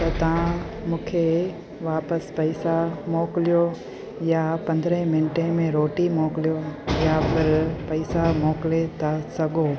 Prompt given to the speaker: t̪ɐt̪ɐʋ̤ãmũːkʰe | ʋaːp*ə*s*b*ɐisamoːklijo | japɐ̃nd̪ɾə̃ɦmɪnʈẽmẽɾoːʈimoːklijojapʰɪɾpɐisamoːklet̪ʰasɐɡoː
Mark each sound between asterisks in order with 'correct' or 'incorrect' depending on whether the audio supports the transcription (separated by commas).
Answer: correct, incorrect